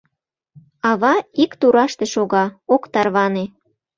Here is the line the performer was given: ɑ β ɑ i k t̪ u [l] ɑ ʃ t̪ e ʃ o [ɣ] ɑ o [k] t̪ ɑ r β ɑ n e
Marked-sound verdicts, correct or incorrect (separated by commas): incorrect, correct, correct